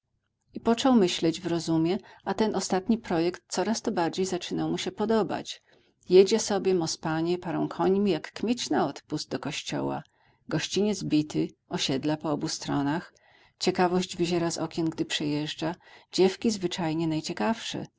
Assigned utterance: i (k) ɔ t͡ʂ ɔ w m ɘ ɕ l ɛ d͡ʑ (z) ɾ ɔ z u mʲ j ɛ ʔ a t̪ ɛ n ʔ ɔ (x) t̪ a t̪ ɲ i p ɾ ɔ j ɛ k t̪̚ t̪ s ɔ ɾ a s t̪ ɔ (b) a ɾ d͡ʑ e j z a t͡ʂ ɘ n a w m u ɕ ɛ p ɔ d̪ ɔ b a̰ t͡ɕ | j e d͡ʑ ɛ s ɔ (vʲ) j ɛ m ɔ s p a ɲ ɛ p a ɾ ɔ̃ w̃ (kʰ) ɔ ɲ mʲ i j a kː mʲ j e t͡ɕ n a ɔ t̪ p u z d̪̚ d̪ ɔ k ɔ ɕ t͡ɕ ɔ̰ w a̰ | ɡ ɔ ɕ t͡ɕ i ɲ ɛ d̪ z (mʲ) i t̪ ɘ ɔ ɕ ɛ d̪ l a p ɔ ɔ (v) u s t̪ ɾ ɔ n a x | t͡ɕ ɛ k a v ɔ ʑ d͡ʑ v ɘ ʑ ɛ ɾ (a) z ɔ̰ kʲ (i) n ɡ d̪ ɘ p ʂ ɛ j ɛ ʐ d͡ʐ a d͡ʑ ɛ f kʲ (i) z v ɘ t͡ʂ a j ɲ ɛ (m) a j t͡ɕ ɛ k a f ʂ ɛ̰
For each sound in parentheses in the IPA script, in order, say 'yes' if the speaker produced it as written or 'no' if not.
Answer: no, no, no, yes, no, yes, no, no, yes, no, yes, no

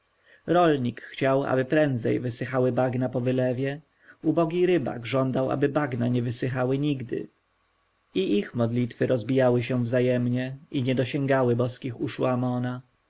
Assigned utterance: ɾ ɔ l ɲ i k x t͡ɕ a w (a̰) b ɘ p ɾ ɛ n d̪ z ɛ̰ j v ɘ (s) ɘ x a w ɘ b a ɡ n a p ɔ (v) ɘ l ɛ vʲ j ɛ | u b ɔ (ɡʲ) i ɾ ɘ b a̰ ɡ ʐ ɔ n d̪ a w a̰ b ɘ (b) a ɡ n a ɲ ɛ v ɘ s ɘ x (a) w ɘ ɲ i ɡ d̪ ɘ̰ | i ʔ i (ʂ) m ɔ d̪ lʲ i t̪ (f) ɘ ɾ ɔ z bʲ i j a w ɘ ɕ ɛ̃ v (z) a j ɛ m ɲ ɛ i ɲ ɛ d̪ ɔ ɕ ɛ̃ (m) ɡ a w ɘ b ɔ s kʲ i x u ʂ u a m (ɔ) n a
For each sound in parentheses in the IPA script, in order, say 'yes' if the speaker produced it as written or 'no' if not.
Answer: yes, yes, yes, yes, yes, yes, no, yes, yes, no, yes

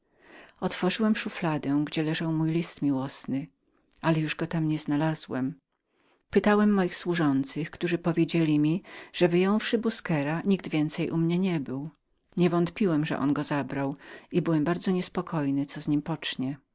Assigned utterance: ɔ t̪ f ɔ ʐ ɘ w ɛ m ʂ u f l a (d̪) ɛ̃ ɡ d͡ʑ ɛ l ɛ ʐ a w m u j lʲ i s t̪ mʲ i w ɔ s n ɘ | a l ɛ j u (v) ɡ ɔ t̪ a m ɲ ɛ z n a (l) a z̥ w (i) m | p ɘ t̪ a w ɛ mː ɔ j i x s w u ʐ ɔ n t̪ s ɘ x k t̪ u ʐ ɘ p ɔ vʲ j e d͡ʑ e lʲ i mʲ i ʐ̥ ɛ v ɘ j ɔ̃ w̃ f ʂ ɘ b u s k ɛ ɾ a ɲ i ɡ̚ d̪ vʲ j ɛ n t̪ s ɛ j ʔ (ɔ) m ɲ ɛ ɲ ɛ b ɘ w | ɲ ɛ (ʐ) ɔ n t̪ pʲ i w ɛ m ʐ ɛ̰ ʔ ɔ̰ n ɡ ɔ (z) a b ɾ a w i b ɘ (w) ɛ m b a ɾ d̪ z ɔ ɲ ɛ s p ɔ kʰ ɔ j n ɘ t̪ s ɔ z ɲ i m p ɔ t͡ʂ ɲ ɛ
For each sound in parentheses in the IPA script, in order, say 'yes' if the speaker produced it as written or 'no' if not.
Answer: yes, no, yes, no, no, no, yes, yes

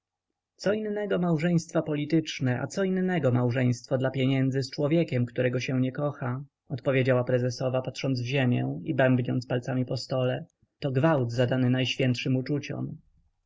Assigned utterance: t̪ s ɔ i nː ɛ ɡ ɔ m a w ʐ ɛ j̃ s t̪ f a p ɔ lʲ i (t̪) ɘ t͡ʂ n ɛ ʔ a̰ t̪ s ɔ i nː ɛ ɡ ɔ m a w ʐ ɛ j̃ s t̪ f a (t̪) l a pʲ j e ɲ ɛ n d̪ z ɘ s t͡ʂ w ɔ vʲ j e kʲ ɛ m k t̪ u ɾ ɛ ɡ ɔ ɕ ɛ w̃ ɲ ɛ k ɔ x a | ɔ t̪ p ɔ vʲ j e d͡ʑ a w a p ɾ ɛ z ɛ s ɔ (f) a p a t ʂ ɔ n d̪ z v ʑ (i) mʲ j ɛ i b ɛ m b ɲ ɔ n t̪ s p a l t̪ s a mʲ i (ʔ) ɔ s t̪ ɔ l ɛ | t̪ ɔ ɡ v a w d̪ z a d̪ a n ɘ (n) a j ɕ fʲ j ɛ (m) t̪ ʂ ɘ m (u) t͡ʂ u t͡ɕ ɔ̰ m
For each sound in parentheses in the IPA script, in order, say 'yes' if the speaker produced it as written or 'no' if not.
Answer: yes, no, no, no, no, yes, no, yes

